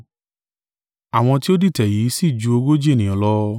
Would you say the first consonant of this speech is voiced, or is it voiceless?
voiced